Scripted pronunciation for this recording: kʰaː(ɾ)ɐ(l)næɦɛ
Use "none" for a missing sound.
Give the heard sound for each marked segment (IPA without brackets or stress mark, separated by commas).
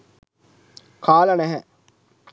l, none